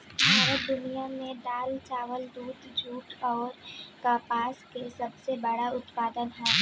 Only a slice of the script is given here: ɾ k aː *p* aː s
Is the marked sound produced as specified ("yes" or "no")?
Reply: yes